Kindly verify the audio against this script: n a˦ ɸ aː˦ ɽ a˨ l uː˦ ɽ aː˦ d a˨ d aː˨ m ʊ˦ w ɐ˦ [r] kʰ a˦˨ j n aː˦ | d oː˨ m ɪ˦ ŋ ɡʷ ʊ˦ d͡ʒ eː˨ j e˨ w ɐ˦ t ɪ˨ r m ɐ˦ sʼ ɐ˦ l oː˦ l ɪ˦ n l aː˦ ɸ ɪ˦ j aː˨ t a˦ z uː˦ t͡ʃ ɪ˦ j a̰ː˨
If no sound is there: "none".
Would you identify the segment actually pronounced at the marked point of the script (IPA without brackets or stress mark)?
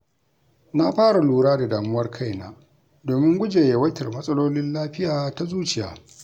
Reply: r